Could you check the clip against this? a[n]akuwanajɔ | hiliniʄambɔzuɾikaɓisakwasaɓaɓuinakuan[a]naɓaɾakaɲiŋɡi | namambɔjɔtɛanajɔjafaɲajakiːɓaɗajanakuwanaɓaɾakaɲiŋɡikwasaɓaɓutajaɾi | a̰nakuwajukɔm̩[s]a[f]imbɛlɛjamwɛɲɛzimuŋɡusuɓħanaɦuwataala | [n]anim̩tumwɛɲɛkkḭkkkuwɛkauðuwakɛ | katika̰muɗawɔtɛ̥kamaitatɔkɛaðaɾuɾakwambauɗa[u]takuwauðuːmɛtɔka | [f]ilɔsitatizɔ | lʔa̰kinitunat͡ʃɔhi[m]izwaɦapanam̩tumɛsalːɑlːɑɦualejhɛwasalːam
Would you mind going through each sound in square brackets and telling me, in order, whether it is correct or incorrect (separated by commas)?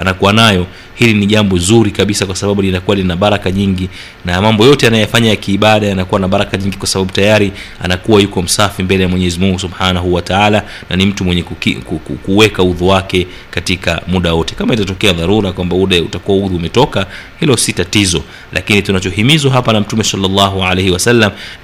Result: correct, incorrect, correct, correct, correct, correct, incorrect, correct